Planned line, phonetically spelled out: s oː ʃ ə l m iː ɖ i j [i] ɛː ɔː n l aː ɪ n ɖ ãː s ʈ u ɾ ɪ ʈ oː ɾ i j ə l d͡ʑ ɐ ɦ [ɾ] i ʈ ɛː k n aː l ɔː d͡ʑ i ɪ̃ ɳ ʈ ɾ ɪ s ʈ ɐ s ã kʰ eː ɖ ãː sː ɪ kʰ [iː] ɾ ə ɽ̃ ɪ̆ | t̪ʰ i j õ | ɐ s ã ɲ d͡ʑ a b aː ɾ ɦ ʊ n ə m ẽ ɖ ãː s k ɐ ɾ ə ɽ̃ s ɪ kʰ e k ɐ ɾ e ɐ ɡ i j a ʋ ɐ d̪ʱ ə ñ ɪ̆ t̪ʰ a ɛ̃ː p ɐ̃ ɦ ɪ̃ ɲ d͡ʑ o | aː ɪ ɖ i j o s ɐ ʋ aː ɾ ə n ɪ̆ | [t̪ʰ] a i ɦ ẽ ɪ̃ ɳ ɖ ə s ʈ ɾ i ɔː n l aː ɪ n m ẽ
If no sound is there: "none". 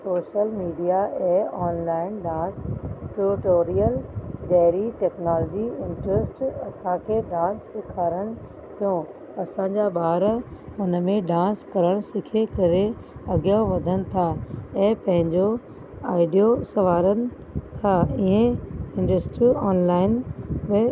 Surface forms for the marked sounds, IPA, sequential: a, ɾ, aː, t̪ʰ

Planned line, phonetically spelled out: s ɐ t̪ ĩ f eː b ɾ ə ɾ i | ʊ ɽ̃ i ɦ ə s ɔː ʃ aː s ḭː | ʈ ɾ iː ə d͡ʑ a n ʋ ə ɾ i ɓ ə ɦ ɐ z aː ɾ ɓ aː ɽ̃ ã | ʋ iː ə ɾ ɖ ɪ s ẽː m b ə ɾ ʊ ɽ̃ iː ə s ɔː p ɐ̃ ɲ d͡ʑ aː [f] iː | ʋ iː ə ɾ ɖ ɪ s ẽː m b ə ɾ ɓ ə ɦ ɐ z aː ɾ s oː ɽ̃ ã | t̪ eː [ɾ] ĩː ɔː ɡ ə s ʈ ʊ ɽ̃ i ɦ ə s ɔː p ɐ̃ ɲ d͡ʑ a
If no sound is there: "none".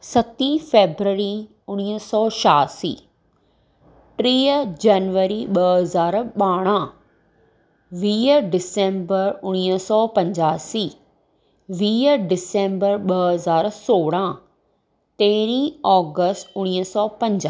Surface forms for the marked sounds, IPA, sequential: s, ɾ

